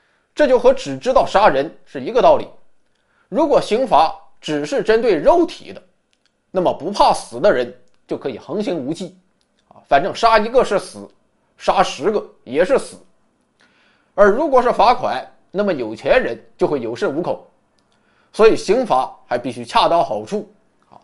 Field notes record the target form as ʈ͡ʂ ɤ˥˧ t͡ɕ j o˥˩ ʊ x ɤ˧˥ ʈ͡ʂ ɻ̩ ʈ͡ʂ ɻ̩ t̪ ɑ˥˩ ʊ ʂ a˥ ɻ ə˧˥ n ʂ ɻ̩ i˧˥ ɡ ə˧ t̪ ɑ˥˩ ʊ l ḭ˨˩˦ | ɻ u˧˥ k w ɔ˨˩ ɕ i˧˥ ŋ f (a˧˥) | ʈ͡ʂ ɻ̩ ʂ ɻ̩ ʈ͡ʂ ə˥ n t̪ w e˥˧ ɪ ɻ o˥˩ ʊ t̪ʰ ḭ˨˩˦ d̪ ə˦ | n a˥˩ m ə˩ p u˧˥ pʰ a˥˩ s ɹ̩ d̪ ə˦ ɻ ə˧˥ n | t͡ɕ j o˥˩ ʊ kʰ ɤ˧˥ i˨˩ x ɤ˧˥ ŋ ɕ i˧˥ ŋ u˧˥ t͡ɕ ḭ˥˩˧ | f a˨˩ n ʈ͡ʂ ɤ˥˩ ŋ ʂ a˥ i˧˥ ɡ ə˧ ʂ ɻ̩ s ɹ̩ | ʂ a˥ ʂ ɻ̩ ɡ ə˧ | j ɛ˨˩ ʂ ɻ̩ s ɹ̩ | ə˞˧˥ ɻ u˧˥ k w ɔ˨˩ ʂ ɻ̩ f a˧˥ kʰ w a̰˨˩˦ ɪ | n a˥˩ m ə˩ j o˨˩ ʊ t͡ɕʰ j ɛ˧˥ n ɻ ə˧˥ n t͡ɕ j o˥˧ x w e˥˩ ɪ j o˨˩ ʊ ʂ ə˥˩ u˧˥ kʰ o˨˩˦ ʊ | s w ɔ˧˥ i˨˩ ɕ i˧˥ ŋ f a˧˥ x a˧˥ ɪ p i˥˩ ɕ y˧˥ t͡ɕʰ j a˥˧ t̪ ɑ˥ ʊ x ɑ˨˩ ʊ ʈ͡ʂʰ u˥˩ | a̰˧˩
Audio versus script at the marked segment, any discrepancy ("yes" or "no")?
no